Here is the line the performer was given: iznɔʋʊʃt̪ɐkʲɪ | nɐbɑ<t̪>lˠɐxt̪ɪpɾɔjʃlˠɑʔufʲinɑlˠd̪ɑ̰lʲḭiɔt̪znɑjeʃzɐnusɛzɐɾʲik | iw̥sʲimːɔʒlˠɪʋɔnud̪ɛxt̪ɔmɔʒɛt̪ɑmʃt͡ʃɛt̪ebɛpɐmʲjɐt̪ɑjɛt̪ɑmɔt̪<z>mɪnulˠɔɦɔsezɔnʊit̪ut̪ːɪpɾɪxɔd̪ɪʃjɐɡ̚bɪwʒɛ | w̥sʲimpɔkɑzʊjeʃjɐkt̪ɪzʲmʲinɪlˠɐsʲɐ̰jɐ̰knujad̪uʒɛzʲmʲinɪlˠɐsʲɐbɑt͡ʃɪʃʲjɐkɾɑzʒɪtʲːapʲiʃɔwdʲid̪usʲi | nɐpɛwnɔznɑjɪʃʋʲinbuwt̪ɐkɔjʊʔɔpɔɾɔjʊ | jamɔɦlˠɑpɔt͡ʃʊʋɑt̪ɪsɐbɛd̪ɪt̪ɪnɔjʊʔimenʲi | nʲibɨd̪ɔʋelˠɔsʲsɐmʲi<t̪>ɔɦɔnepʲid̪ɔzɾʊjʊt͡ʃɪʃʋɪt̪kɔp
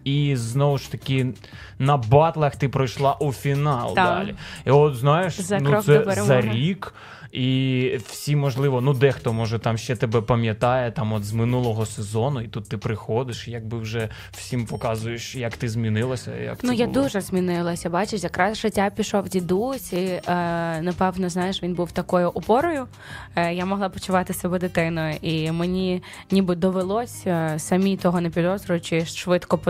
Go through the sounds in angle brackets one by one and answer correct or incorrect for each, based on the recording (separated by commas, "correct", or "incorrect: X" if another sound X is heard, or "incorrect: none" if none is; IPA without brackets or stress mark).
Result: correct, correct, correct